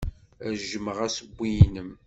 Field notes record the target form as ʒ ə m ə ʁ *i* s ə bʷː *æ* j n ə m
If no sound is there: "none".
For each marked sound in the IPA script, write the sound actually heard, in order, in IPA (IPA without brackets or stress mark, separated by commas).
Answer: æ, i